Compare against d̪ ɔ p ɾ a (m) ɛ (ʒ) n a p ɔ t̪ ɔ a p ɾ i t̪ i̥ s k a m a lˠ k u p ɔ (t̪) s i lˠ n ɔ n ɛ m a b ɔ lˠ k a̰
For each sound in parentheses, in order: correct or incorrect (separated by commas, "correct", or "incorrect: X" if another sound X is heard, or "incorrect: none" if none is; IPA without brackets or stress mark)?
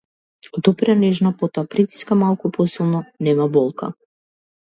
incorrect: n, correct, incorrect: none